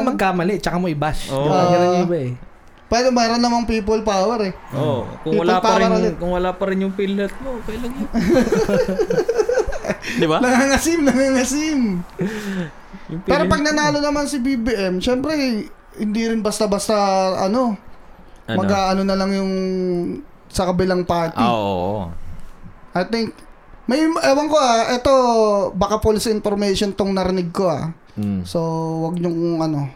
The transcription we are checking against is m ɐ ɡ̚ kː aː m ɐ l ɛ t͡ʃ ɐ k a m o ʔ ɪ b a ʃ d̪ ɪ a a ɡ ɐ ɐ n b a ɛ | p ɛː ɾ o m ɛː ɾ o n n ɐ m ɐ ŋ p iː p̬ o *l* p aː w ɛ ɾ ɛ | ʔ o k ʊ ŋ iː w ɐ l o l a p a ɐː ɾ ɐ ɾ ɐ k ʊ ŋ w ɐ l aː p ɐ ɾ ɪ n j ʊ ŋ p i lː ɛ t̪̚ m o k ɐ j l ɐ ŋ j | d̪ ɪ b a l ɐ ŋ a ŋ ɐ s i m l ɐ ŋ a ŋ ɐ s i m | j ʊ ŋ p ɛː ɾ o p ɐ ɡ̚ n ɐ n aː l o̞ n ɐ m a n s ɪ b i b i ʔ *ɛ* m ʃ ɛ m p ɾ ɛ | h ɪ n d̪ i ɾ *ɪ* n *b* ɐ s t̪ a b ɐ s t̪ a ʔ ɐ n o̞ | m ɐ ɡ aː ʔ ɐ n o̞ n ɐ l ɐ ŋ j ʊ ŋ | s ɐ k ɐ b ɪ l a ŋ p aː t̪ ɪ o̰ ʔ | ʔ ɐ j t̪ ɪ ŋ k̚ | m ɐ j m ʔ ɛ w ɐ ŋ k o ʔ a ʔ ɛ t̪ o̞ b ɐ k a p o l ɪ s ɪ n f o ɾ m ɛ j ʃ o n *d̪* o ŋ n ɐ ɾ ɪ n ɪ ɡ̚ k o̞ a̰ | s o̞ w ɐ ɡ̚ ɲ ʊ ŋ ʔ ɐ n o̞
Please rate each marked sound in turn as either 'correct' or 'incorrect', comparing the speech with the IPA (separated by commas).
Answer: correct, correct, correct, correct, incorrect